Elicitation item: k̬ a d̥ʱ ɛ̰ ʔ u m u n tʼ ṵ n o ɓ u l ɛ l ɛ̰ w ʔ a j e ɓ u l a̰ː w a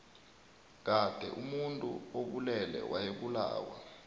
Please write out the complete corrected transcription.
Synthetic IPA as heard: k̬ a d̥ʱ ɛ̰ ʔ u m u n tʼ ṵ o ɓ u l ɛ l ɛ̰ w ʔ a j e ɓ u l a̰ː w a